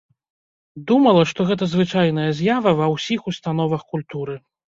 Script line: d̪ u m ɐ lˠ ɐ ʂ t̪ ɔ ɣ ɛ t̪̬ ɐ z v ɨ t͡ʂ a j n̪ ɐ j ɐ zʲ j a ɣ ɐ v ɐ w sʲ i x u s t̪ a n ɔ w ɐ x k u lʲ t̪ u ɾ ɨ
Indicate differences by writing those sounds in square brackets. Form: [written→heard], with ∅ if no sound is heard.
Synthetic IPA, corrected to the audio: d̪ u m ɐ lˠ ɐ ʂ t̪ ɔ ɣ ɛ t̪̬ ɐ z v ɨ t͡ʂ a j n̪ ɐ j ɐ zʲ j a [ɣ→v] ɐ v ɐ w sʲ i x u s t̪ a n ɔ [w→v] ɐ x k u lʲ t̪ u ɾ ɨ